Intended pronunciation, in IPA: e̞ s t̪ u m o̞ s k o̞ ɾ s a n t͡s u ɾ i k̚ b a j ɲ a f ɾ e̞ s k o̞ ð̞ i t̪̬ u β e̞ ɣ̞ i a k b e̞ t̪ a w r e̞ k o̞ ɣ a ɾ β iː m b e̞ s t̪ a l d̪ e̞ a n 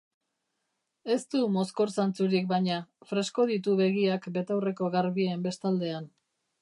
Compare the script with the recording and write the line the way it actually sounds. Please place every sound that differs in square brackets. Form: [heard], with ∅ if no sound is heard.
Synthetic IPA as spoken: e̞ s t̪ u m o̞ s k o̞ ɾ s a n t͡s u ɾ i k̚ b a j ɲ a f ɾ e̞ s k o̞ ð̞ i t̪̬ u β e̞ ɣ̞ i a k b e̞ t̪ a w r e̞ k o̞ ɣ a ɾ β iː m b e̞ s t̪ a l d̪ e̞ a n